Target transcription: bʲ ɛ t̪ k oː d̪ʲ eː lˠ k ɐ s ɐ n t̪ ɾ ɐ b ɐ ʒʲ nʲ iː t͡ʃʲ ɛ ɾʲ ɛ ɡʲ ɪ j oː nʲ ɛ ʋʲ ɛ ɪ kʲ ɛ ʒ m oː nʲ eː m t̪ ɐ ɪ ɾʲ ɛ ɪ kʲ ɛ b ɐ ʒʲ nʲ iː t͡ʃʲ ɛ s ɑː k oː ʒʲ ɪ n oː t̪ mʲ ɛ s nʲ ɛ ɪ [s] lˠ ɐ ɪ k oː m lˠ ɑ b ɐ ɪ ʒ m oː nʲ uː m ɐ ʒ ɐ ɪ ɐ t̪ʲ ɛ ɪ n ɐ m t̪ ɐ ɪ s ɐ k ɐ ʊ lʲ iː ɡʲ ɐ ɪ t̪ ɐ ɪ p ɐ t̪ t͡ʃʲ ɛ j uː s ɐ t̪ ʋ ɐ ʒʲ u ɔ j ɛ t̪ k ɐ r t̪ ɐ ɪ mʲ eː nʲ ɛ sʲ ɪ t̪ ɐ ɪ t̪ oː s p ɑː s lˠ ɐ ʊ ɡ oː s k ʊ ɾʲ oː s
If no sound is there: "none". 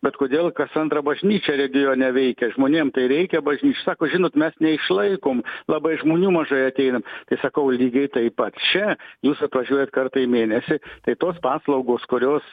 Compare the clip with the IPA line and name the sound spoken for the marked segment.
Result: ʃ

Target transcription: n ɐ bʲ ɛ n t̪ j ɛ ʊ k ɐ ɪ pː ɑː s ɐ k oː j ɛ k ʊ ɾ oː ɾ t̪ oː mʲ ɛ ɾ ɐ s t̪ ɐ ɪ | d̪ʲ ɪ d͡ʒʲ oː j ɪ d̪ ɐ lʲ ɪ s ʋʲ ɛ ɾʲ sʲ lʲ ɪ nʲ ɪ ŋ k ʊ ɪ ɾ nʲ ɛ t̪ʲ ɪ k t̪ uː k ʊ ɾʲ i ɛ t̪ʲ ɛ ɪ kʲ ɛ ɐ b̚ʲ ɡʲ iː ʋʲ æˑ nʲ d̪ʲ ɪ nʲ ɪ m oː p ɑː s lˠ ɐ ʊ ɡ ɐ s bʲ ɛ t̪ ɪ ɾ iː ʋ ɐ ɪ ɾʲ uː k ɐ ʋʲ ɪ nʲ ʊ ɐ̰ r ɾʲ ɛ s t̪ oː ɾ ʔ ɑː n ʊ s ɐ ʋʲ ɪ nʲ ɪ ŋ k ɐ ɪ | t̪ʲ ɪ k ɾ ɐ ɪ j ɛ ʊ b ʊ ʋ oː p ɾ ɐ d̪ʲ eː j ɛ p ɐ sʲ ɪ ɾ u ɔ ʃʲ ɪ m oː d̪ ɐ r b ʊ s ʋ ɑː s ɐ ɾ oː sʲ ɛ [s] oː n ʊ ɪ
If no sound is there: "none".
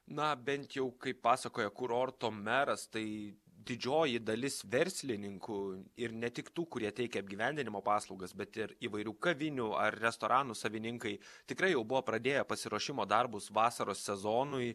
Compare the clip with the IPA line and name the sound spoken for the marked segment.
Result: z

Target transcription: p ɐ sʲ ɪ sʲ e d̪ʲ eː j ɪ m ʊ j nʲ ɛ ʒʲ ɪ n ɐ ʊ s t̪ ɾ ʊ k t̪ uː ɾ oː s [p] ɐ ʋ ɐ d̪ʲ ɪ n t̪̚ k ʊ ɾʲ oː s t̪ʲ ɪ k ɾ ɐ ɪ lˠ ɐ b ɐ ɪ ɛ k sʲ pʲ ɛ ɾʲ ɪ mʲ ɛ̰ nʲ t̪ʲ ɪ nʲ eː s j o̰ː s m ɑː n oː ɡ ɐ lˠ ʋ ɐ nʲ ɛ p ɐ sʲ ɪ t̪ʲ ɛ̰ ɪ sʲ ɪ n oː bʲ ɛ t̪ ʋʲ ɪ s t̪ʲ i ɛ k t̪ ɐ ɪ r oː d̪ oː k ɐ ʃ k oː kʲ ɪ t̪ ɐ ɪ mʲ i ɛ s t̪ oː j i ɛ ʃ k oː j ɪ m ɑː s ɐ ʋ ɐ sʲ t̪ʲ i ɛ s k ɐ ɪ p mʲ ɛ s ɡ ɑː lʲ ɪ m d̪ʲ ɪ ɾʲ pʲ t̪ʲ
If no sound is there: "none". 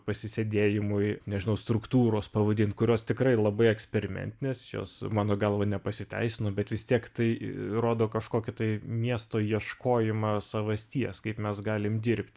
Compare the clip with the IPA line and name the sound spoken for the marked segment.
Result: p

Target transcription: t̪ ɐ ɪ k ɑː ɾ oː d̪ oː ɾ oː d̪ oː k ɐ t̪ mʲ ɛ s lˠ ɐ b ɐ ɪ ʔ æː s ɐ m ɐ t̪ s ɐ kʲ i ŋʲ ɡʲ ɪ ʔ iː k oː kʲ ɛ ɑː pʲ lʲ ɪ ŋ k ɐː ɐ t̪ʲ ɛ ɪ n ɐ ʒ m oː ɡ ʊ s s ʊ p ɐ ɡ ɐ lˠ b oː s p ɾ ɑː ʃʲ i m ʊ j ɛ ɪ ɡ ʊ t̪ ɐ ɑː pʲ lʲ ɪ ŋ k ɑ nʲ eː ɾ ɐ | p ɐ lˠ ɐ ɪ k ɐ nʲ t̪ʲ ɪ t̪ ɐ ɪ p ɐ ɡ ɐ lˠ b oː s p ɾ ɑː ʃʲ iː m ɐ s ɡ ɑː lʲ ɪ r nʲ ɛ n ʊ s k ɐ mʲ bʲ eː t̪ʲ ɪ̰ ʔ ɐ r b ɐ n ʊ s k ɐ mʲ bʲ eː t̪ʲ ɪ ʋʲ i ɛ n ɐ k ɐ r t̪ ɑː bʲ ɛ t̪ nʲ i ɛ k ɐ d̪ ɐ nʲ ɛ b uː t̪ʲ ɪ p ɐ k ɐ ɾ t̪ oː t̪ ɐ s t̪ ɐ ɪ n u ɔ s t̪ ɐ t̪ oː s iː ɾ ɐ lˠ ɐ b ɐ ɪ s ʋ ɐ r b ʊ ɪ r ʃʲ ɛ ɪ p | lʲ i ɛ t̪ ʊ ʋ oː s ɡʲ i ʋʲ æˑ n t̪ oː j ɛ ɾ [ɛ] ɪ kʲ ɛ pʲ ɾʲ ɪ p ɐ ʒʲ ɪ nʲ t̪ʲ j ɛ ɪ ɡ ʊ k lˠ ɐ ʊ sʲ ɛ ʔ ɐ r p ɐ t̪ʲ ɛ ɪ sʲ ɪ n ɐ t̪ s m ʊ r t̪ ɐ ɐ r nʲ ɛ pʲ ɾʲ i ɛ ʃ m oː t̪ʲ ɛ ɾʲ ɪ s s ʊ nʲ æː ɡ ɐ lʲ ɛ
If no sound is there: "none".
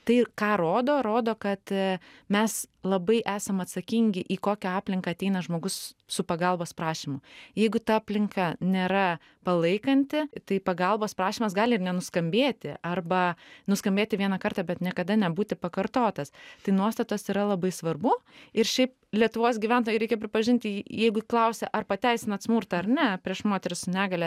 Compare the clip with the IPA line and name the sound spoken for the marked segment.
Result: ɛ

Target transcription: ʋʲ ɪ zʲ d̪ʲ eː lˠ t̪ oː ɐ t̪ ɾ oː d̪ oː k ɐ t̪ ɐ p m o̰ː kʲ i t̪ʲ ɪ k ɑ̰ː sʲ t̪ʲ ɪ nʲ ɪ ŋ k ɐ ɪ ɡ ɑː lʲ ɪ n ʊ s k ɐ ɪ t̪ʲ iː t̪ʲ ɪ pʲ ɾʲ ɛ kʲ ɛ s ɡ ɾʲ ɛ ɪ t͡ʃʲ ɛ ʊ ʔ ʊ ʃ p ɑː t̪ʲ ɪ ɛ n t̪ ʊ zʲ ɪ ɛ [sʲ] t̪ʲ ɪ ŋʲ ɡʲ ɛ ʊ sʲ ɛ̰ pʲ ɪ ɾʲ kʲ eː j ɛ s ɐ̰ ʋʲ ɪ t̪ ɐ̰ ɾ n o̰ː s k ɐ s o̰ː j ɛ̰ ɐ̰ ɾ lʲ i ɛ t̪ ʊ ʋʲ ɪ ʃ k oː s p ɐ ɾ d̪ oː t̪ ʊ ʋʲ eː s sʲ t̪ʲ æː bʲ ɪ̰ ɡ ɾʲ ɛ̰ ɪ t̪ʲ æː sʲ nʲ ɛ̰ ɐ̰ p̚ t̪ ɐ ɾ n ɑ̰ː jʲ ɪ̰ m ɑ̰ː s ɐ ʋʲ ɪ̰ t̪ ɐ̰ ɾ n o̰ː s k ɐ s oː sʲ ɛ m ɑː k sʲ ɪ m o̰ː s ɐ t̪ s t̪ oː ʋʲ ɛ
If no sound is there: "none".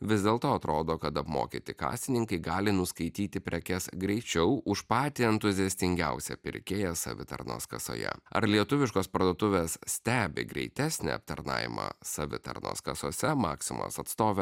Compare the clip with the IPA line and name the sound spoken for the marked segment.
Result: sʲ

